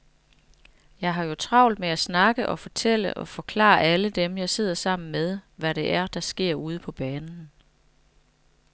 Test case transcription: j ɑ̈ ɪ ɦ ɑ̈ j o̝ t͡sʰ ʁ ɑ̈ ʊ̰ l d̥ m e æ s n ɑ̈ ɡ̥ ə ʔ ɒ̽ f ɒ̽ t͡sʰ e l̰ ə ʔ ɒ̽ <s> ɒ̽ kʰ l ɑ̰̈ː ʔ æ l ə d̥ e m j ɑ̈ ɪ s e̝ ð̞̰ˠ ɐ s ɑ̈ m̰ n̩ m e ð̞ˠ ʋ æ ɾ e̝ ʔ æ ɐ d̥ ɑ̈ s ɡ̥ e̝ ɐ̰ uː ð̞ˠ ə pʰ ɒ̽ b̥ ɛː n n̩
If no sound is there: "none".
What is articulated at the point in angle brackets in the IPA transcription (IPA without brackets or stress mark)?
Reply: f